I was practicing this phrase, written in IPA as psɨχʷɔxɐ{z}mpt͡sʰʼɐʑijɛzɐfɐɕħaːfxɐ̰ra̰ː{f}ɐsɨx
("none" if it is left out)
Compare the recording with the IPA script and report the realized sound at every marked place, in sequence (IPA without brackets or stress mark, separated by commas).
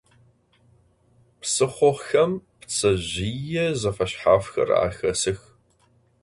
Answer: none, x